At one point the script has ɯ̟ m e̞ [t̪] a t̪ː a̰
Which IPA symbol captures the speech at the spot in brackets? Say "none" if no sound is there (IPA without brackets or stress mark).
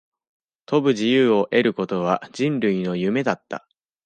d̪